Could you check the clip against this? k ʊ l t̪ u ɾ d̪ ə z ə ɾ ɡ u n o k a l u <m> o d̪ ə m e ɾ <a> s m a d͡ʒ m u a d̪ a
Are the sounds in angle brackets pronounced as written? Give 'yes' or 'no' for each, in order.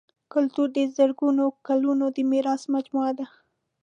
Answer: no, no

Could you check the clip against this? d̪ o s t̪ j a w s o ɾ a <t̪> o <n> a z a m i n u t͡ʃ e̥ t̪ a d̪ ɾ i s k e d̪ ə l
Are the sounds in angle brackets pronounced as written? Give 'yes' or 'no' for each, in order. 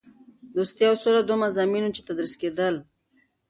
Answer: no, no

